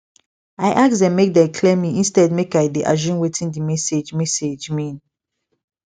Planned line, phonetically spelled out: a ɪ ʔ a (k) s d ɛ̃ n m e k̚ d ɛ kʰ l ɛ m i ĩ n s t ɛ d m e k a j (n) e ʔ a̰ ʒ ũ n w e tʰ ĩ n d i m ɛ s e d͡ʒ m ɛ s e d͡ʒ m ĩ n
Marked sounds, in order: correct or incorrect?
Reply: correct, incorrect: d

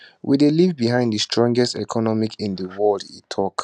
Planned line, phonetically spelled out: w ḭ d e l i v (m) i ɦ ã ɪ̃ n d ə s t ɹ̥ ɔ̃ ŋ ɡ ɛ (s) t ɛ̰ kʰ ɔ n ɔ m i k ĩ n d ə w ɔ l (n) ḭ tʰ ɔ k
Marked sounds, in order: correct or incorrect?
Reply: incorrect: b, correct, incorrect: d

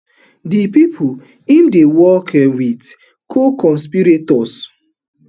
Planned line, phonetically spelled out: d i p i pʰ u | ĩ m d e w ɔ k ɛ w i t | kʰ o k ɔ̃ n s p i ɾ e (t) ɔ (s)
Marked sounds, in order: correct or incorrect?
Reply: correct, correct

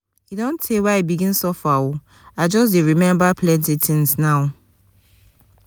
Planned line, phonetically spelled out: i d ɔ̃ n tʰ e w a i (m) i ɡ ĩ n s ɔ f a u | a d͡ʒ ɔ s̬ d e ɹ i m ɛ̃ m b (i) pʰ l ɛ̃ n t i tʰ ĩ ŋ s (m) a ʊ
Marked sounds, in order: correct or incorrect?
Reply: incorrect: b, incorrect: a, incorrect: n

